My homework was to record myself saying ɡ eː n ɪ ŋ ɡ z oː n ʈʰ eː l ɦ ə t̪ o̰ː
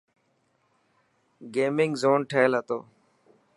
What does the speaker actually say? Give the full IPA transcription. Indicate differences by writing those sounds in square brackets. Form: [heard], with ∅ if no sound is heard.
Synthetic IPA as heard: ɡ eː [m] ɪ ŋ ɡ z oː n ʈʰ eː l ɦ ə t̪ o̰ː